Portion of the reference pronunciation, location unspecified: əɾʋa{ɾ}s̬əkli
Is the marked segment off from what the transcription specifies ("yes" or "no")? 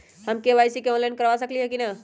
yes